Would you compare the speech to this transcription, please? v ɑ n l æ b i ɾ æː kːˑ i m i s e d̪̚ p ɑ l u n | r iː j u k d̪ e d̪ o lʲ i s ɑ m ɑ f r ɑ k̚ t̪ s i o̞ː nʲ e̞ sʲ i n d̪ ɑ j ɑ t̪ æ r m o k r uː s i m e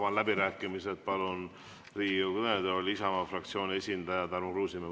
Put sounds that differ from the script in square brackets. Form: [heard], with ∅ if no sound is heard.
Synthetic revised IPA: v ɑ n l æ b i ɾ æː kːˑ i m i s e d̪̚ p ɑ l u n | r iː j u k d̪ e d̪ o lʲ i s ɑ m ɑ f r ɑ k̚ t̪ s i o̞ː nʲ e̞ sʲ i n d̪ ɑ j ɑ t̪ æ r m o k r uː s i m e